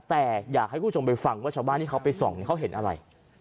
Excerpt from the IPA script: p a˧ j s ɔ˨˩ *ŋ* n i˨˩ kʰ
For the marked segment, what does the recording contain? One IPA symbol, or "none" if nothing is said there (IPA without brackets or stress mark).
ŋ